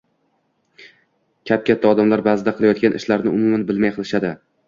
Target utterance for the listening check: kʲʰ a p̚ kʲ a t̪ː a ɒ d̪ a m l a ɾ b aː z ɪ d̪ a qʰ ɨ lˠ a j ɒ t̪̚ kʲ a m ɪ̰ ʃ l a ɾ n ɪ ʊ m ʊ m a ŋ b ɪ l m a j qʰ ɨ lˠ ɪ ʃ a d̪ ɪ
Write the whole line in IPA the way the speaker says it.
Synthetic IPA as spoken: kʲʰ a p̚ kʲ a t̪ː a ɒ d̪ a m l a ɾ b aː z ɪ d̪ a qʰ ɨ lˠ a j ɒ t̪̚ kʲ a n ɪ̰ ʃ l a ɾ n ɪ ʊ m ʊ m a n b ɪ l m a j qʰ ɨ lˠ ɪ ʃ a d̪ ɪ